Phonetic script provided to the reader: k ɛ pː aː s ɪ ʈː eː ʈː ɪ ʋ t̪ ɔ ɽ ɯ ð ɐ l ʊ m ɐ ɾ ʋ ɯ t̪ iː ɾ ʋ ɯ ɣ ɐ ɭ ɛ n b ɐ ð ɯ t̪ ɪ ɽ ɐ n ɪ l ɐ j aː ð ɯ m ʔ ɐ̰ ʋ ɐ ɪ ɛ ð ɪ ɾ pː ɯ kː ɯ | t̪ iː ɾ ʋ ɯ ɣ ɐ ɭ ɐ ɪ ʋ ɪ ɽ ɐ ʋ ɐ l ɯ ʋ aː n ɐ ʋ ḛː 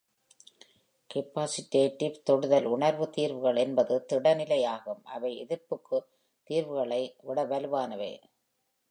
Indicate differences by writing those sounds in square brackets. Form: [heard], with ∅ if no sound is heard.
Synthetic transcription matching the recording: k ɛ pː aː s ɪ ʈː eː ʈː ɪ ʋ t̪ ɔ ɽ ɯ ð ɐ l ʊ [ɳ] ɐ ɾ ʋ ɯ t̪ iː ɾ ʋ ɯ ɣ ɐ ɭ ɛ n b ɐ ð ɯ t̪ ɪ ɽ ɐ n ɪ l ɐ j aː [ɣ] ɯ m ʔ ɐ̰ ʋ ɐ ɪ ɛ ð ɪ ɾ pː ɯ kː ɯ | t̪ iː ɾ ʋ ɯ ɣ ɐ ɭ ɐ ɪ ʋ ɪ ɽ ɐ ʋ ɐ l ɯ ʋ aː n ɐ ʋ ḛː